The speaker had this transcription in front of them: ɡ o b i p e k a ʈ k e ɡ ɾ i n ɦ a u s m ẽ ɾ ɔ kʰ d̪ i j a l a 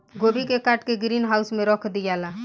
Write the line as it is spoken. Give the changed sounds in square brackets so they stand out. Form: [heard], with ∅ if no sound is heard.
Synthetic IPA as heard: ɡ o b i [k] e k a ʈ k e ɡ ɾ i n ɦ a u s m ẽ ɾ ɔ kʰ d̪ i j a l a

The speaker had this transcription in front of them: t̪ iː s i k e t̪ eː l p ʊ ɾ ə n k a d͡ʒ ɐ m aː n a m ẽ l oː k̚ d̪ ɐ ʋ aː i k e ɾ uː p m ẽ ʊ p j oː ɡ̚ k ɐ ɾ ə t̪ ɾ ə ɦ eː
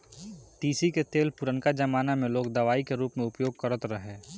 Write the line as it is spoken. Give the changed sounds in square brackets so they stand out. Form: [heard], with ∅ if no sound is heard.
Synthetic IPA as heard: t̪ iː s i k e t̪ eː l p ʊ ɾ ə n k a d͡ʒ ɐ m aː n a m ẽ l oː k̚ d̪ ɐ ʋ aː i k e ɾ uː p m ẽ ʊ p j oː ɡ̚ k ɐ ɾ ə t̪ ɾ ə ɦ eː

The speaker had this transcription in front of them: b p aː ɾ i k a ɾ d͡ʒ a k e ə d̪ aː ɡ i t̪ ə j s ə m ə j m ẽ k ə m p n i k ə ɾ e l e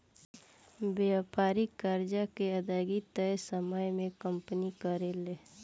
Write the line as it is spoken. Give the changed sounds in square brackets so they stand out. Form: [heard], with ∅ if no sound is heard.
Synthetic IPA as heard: b p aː ɾ i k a ɾ d͡ʒ a k e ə d̪ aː ɡ i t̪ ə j s ə m ə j m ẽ k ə m p n i k ə ɾ e l e

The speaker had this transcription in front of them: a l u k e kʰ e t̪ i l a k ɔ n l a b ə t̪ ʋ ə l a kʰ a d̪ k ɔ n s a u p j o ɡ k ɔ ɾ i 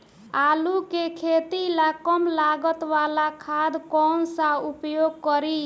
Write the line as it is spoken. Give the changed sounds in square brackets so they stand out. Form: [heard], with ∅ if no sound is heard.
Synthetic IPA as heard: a l u k e kʰ e t̪ i l a k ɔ [m] l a [ɡ] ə t̪ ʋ [a] l a kʰ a d̪ k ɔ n s a u p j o ɡ k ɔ ɾ i

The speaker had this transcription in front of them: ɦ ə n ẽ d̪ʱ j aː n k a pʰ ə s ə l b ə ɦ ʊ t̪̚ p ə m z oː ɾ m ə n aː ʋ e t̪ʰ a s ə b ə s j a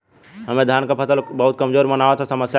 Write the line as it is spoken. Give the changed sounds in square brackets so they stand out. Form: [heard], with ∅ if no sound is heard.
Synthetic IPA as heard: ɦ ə [m] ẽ d̪ʱ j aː n k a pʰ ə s ə l b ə ɦ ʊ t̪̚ [k] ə m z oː ɾ m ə n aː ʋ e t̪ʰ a s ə [m] ə s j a

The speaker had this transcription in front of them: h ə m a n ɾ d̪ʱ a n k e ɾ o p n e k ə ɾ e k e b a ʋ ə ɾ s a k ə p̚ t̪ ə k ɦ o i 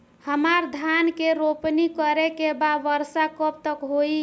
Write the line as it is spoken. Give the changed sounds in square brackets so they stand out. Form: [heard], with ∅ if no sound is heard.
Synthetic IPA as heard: h ə m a [∅] ɾ d̪ʱ a n k e ɾ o p n [i] k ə ɾ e k e b a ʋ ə ɾ s a k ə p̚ t̪ ə k ɦ o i

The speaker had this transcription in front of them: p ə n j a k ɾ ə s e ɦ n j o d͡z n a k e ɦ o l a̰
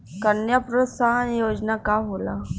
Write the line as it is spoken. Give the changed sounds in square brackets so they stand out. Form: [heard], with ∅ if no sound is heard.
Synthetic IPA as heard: [k] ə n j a [p] ɾ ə s [a] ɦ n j o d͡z n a k [a] ɦ o l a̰

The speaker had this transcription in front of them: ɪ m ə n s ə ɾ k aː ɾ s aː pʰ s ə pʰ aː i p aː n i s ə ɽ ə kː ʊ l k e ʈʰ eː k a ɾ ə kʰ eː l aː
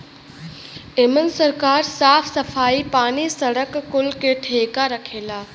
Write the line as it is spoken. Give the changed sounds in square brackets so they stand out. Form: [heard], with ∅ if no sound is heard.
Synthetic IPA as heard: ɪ m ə n s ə ɾ k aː ɾ s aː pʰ s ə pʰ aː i p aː n i s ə ɽ ə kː ʊ l k e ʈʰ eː k a ɾ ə kʰ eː l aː

